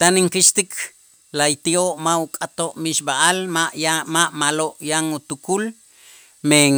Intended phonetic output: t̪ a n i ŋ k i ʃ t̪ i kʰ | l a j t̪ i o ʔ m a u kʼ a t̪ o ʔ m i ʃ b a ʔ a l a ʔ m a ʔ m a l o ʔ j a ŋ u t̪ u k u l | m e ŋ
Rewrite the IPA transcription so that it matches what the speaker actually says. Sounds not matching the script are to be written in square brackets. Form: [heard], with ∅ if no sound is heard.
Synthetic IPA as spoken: t̪ a n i ŋ k i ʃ t̪ i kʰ | l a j t̪ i o ʔ m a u kʼ a t̪ o ʔ m i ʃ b a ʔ a l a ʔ m a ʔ m a l o ʔ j a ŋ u t̪ u k u l | m e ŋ